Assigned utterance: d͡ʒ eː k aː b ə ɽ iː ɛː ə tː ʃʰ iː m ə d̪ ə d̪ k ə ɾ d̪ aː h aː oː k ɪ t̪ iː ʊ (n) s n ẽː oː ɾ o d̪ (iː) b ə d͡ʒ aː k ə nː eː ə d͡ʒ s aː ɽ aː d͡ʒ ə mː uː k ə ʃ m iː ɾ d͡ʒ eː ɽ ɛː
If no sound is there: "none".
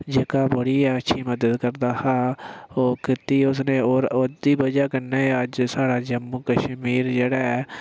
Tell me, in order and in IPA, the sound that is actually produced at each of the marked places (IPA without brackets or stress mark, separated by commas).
none, iː